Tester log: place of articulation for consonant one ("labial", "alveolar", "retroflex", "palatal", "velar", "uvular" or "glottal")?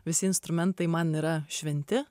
labial